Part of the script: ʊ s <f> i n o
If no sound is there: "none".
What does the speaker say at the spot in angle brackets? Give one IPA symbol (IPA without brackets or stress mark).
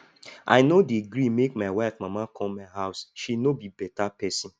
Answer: ʃ